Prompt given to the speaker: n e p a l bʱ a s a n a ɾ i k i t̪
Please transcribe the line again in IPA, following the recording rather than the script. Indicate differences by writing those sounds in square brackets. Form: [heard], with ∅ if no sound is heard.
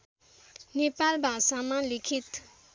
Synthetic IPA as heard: n e p a l bʱ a s a [m] a [l] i [kʰ] i t̪